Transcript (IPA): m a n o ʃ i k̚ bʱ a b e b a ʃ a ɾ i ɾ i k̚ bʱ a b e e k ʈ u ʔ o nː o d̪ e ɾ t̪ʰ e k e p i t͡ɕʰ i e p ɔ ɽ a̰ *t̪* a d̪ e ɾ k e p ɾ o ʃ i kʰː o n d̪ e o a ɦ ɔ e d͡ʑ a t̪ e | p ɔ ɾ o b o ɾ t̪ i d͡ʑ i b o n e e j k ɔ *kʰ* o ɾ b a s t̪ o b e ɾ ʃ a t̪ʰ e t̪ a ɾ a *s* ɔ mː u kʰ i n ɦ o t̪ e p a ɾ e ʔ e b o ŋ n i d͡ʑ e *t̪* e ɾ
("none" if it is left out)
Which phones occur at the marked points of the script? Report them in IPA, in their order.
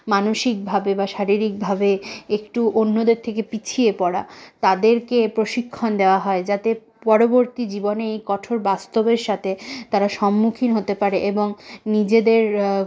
t̪, ʈʰ, ʃ, d̪

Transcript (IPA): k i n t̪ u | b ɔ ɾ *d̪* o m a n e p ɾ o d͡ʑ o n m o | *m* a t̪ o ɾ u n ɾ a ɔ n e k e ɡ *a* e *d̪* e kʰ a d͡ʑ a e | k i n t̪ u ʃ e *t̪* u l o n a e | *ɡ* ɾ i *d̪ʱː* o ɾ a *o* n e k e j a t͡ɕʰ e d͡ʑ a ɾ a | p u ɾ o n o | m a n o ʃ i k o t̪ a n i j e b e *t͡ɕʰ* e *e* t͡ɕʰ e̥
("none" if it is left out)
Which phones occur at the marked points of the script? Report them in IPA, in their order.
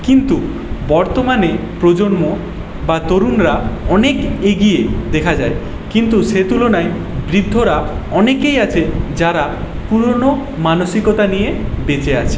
t̪, b, i, d̪, t̪, b, d̪ʱː, ɔ, t͡ɕ, a

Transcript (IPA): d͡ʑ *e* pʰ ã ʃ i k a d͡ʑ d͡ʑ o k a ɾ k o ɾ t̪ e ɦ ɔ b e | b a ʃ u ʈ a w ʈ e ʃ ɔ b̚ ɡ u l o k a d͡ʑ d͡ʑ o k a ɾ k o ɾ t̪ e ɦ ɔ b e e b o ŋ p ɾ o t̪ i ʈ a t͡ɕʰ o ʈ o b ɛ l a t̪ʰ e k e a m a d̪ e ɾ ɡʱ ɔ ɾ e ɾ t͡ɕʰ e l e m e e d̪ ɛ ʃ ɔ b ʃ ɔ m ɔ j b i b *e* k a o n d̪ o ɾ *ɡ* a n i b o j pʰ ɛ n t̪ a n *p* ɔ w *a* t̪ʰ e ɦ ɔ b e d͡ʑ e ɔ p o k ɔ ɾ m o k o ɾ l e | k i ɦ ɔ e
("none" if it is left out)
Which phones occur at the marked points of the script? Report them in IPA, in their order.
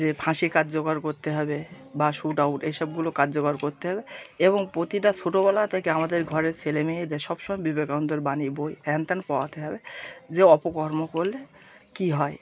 e, e, b, p, a

